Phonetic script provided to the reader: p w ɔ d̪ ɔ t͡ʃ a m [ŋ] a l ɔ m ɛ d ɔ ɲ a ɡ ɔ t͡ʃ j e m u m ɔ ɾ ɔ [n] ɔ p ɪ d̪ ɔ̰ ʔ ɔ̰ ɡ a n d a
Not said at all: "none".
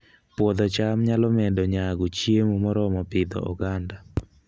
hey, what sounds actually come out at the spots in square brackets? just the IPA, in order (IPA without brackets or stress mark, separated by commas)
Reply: ɲ, m